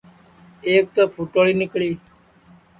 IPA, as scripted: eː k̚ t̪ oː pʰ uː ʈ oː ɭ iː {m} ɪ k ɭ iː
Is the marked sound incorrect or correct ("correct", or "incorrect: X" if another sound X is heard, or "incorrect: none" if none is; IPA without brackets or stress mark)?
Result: incorrect: n